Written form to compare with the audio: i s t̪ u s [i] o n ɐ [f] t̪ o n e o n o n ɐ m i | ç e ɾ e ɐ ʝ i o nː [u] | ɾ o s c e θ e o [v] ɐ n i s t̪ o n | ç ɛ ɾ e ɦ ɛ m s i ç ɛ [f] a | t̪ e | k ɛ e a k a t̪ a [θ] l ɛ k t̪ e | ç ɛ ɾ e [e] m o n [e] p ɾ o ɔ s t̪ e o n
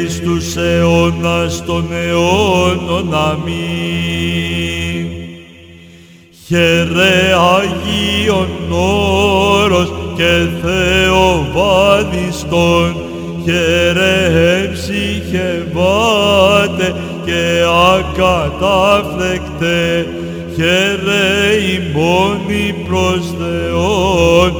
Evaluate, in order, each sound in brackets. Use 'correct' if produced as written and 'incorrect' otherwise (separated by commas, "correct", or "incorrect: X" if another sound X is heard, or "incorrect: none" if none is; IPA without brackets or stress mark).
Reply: incorrect: e, incorrect: s, incorrect: o, correct, incorrect: v, incorrect: f, incorrect: i, incorrect: i